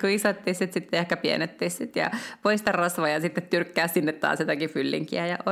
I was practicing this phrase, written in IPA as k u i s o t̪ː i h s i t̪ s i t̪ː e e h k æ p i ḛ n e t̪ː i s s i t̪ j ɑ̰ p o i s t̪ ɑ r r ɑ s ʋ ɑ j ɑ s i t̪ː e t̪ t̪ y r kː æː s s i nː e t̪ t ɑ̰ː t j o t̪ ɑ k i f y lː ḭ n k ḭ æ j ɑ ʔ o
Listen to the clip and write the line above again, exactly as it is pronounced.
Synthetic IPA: k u i s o t̪ː i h s i t̪ s i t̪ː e e h k æ p i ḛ n e t̪ː i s s i t̪ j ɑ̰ p o i s t̪ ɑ r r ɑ s ʋ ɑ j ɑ s i t̪ː e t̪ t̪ y r kː æː s s i nː e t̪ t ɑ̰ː s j o t̪ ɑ k i f y lː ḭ ŋ k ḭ æ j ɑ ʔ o